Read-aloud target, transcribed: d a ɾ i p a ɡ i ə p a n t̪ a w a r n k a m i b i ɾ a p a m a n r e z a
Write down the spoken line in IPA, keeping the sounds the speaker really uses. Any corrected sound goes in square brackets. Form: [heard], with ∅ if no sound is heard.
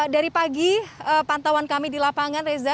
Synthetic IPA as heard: d a ɾ i p a ɡ i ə p a n t̪ a w a [∅] n k a m i [d] i [l] a p a [ŋ] a n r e z a